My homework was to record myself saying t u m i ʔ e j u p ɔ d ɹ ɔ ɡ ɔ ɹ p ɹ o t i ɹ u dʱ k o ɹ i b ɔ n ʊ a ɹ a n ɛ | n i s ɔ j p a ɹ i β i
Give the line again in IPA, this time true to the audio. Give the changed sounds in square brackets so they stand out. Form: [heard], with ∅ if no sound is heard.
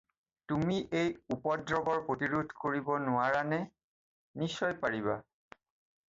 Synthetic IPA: t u m i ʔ e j u p ɔ d ɹ ɔ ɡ ɔ ɹ p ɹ o t i ɹ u dʱ k o ɹ i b ɔ n ʊ a ɹ a n ɛ | n i s ɔ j p a ɹ i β [a]